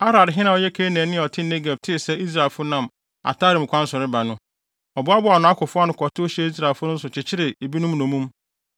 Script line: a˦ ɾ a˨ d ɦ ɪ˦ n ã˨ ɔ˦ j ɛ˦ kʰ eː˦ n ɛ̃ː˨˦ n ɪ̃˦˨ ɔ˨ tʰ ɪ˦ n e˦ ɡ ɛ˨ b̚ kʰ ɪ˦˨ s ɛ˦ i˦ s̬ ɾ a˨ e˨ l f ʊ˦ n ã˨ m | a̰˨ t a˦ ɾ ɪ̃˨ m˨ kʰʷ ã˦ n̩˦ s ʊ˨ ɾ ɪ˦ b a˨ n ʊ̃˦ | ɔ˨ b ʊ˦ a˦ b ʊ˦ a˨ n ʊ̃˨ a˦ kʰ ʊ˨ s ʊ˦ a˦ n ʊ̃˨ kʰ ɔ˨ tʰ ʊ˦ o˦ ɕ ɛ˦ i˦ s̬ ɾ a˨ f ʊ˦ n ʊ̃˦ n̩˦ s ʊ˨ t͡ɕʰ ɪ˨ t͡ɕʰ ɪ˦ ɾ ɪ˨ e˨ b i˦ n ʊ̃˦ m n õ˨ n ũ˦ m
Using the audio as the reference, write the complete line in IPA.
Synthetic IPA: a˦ ɾ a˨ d ɦ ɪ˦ n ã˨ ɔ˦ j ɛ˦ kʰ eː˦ n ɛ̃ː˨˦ n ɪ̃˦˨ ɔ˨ tʰ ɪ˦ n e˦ ɡ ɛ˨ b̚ tʰ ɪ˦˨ s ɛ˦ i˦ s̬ ɾ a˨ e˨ l f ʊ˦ n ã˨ m | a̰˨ t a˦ ɾ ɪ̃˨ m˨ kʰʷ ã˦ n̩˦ s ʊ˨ ɾ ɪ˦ b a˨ n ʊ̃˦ | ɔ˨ b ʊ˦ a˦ b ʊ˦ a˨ n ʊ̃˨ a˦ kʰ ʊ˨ f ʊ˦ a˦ n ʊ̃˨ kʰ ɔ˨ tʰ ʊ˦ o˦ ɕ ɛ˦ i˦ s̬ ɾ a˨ f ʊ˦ n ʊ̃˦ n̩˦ s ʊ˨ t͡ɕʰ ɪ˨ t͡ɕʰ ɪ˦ ɾ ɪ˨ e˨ b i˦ n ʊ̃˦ m n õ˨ m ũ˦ m